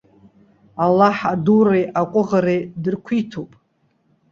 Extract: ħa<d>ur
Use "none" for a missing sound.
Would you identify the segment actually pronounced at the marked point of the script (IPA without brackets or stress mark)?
d